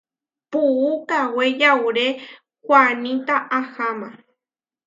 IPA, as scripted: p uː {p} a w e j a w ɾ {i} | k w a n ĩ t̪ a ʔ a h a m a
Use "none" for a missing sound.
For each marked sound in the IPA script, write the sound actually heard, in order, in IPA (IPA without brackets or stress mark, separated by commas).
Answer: k, e